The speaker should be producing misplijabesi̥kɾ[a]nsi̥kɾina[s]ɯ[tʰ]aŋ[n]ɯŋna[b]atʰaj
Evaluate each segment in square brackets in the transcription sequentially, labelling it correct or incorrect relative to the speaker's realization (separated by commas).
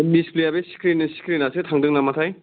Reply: incorrect, correct, correct, incorrect, incorrect